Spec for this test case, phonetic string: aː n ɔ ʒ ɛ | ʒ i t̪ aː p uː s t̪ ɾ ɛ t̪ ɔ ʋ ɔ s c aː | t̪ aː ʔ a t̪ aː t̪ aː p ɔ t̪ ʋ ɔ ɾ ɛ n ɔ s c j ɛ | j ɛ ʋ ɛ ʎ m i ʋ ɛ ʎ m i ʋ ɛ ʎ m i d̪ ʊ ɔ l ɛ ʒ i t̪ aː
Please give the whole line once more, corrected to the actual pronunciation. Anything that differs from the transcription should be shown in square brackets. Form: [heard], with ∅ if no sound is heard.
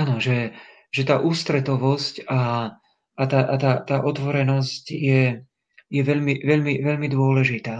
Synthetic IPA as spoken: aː n ɔ ʒ ɛ | ʒ [ɛ] t̪ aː [ʔ] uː s t̪ ɾ ɛ t̪ ɔ ʋ ɔ s c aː | t̪ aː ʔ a t̪ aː t̪ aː [ʔ] ɔ t̪ ʋ ɔ ɾ ɛ n ɔ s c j ɛ | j ɛ ʋ ɛ ʎ m i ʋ ɛ ʎ m i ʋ ɛ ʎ m i d̪ ʊ ɔ l ɛ ʒ i t̪ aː